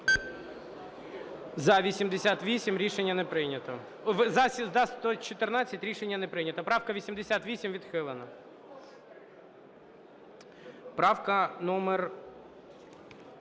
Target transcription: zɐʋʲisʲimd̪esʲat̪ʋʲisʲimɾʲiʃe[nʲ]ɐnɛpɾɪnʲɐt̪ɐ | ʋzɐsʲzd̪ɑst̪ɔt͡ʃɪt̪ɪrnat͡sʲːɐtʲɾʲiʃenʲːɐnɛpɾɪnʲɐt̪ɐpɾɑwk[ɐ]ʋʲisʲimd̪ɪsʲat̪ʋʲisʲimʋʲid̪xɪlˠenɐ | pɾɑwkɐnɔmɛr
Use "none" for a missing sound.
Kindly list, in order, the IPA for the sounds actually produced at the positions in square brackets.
nʲː, ɐ

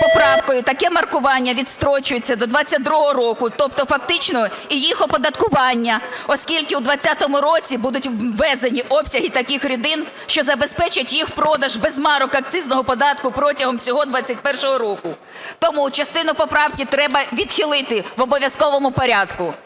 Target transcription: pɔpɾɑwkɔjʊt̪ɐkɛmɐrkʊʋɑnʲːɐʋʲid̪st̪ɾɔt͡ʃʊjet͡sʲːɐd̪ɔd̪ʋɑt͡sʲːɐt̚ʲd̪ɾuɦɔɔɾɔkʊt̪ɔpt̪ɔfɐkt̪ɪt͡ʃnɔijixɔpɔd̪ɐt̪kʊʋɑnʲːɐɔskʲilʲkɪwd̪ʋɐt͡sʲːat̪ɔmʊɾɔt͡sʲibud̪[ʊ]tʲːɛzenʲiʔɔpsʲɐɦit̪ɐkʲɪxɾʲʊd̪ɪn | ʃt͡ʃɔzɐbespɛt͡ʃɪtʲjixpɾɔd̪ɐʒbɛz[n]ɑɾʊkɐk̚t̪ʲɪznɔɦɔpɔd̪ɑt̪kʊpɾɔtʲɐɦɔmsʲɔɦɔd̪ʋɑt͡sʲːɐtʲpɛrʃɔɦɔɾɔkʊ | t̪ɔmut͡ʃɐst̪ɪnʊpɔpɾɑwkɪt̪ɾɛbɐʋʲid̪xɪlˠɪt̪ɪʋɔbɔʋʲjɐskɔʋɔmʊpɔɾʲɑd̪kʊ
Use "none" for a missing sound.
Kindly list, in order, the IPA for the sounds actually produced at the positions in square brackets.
ʊ, m

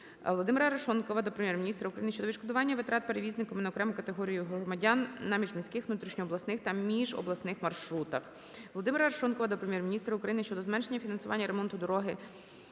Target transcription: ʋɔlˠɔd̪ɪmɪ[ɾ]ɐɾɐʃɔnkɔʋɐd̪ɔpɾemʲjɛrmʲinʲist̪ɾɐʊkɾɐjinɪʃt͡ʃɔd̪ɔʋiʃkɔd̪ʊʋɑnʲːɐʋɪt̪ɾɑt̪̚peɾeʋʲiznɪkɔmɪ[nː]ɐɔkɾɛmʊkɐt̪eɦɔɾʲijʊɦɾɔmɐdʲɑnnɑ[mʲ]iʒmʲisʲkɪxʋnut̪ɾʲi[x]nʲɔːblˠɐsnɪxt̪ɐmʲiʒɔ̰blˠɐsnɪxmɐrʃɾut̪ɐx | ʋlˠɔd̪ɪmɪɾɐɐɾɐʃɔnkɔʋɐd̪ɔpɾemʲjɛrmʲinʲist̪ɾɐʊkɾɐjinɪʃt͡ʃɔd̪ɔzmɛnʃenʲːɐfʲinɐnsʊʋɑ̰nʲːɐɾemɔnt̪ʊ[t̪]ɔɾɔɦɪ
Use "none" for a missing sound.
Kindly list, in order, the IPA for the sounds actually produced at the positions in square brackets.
ɾ, n, mʲ, ʃ, d̪

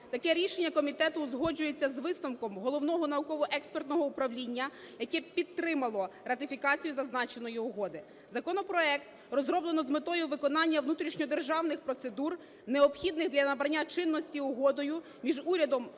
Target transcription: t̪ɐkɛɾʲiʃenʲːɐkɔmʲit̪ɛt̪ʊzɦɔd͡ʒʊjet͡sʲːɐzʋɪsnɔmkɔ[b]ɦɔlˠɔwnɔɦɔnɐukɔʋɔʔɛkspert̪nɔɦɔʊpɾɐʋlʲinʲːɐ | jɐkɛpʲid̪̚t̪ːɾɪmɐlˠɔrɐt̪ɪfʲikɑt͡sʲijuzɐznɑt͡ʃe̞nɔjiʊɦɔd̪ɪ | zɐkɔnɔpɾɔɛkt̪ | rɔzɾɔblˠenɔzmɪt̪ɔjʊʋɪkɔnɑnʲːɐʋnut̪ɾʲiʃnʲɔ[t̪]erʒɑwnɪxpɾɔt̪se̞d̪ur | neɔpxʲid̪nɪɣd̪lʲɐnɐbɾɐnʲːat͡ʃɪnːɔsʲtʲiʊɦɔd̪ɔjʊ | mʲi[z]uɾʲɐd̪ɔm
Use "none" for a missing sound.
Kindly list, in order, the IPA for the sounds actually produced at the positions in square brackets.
m, d̪, ʒ

